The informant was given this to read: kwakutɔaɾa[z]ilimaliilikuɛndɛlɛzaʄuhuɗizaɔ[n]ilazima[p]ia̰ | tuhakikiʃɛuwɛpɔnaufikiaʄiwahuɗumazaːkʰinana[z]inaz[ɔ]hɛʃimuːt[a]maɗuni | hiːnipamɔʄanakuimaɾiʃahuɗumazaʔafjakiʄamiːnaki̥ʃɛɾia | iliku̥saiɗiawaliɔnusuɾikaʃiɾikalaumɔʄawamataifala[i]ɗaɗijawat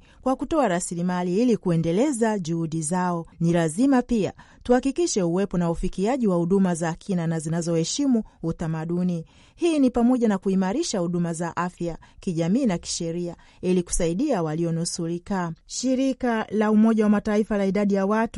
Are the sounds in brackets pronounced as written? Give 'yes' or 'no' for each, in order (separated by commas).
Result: no, yes, yes, yes, yes, yes, yes